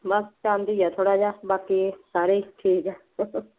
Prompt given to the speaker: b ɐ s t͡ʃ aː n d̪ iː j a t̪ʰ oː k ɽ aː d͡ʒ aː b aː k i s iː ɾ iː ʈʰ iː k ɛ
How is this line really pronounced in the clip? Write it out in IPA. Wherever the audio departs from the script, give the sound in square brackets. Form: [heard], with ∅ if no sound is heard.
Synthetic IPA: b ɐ s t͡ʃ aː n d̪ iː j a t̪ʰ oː [∅] ɽ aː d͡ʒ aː b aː k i s [aː] ɾ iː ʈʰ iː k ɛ